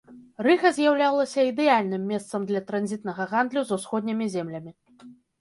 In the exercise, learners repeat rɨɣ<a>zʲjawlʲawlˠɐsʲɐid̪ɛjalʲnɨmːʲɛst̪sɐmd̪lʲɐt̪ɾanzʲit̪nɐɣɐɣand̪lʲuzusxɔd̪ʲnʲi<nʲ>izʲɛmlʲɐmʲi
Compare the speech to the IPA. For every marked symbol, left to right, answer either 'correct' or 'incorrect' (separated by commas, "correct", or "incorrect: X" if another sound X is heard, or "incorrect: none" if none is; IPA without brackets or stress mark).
incorrect: ɐ, incorrect: mʲ